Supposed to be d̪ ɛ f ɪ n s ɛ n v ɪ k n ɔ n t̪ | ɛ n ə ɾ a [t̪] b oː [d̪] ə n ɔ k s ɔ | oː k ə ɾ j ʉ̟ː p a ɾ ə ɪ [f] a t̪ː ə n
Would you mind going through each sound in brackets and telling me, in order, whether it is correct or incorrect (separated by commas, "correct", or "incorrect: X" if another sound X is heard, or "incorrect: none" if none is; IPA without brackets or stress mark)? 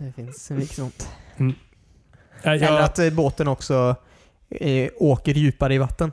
correct, incorrect: t̪, incorrect: v